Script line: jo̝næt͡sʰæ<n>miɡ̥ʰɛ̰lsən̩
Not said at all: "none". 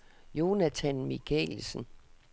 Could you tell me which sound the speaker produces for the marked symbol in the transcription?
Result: n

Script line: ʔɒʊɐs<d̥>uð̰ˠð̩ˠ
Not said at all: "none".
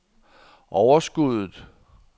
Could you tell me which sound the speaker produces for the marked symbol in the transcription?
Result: ɡ̥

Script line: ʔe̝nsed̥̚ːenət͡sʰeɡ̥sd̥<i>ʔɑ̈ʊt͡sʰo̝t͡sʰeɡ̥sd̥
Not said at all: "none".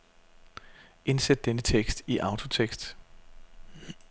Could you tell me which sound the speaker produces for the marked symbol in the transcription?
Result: i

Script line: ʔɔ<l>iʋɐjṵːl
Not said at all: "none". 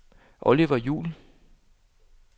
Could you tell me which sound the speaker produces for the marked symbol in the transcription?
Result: l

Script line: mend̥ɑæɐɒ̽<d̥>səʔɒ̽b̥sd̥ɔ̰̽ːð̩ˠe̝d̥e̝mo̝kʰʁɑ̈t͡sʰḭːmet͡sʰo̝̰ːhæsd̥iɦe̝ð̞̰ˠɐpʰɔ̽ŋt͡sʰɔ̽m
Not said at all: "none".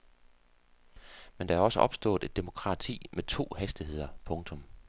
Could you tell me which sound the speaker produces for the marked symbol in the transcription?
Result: none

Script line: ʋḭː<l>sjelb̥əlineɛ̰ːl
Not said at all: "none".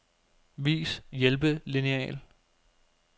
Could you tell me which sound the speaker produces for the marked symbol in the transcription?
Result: none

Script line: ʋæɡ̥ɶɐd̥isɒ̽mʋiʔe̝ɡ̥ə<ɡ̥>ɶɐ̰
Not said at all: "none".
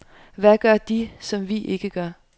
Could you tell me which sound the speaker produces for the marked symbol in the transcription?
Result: ɡ̥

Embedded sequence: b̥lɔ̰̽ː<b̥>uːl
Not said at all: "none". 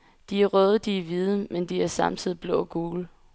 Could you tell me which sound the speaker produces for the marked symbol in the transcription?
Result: ɡ̥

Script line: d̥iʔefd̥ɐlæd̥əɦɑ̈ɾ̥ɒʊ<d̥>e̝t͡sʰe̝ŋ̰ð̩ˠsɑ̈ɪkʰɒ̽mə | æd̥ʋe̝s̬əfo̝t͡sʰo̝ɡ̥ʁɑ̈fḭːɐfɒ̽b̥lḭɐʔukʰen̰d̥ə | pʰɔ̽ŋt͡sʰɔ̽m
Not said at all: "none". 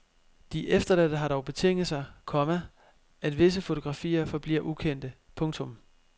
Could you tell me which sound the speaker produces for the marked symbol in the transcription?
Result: b̥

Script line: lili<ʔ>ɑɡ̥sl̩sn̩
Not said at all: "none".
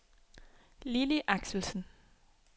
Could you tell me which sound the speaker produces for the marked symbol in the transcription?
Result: ʔ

